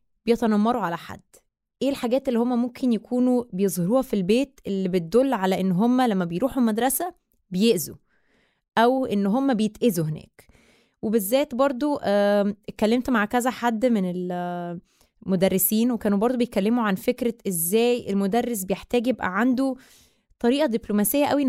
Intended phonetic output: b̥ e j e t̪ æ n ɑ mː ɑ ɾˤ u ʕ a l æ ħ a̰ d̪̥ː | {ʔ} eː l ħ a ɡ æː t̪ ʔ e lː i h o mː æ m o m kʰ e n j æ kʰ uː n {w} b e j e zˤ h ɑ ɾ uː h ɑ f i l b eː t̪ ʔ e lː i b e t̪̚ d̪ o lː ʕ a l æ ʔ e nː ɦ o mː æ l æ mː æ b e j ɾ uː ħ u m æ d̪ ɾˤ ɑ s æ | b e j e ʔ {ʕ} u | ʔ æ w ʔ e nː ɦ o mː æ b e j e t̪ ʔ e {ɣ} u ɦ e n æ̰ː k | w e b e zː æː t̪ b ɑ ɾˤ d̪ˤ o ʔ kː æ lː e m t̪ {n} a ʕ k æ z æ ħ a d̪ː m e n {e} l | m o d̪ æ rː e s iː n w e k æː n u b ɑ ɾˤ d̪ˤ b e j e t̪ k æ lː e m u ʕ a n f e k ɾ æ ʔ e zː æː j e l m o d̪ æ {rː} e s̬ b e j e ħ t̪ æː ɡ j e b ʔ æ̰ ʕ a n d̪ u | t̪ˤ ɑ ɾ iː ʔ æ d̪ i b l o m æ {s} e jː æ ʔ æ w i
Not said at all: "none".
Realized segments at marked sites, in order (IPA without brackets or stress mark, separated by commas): ʔ, u, z, z, m, e, rː, s